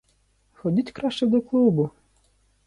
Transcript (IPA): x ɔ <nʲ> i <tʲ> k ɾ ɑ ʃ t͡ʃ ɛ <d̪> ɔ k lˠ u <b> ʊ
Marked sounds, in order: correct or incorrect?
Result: incorrect, correct, correct, correct

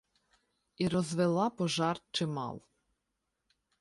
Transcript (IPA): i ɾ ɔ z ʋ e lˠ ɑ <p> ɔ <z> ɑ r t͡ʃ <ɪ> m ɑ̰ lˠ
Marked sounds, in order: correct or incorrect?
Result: correct, incorrect, correct

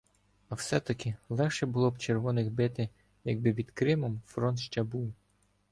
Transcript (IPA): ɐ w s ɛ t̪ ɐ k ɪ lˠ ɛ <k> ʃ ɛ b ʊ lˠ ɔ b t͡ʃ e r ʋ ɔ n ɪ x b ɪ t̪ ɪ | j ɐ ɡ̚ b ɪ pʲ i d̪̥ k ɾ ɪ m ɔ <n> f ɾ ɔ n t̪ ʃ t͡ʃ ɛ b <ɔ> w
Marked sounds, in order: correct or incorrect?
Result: incorrect, incorrect, incorrect

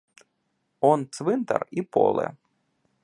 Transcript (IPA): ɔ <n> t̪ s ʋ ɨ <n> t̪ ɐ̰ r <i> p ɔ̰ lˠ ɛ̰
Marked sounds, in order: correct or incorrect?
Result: correct, correct, correct

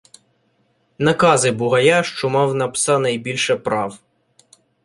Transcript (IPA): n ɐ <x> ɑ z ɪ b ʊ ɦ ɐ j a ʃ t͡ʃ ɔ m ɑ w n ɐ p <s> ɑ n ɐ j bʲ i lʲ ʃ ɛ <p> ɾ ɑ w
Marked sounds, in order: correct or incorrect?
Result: incorrect, correct, correct

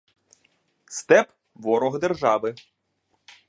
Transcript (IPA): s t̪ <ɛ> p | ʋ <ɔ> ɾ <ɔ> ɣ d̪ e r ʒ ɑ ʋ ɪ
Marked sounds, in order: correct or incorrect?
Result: correct, correct, correct

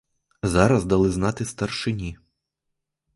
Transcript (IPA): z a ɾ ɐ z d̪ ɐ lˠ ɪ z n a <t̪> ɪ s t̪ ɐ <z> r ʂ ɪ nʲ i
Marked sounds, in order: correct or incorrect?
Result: correct, incorrect

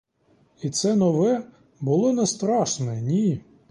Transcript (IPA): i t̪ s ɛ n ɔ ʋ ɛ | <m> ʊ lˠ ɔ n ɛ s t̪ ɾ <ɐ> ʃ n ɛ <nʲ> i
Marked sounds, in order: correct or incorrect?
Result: incorrect, incorrect, correct

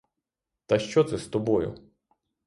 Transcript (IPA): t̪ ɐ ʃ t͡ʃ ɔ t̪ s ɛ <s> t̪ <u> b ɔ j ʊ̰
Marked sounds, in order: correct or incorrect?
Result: correct, incorrect

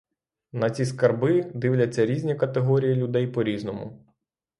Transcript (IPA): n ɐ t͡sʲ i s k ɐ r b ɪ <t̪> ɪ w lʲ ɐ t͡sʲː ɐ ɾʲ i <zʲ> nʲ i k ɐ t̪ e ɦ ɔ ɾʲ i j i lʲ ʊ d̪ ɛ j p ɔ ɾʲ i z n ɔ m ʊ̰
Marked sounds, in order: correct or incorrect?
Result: incorrect, correct

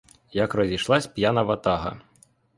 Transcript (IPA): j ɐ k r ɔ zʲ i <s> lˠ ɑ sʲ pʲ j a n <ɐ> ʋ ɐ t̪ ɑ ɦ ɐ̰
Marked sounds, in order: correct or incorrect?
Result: incorrect, correct

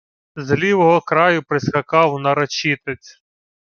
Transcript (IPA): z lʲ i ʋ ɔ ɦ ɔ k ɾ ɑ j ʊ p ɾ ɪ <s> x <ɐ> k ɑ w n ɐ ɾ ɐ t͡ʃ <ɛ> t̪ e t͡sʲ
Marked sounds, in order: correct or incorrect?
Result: correct, correct, incorrect

